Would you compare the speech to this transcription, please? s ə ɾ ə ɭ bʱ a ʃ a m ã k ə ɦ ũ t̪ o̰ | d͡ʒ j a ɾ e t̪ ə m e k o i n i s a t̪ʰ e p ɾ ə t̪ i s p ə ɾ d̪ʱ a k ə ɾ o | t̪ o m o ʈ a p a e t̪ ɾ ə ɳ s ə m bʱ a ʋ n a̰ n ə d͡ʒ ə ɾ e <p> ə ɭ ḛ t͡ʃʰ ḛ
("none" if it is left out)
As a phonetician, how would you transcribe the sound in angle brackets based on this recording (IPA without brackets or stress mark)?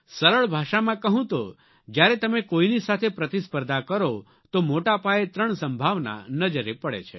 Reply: p